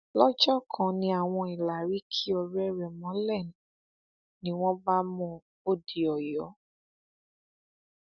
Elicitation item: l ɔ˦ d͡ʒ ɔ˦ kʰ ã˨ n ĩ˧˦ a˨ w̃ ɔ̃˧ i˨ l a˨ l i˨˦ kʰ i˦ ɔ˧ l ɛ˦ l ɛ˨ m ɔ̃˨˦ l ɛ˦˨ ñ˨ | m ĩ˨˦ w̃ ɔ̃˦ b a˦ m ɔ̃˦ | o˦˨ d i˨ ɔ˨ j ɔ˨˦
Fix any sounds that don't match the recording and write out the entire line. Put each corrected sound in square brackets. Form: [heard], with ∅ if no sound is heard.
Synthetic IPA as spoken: l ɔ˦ d͡ʒ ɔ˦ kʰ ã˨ n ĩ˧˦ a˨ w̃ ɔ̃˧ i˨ l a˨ [ɾ] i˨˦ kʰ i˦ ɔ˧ [ɾ] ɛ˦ [ɾ] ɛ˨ m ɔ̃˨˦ l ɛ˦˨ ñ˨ | [n] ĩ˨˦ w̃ ɔ̃˦ b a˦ m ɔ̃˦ | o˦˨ d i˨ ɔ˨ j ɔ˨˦